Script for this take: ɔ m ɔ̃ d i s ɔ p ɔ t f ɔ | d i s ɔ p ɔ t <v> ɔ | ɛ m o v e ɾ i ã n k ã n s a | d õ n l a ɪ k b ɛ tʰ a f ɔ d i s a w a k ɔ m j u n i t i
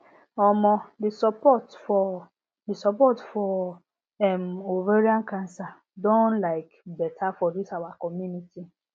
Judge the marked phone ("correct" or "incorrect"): incorrect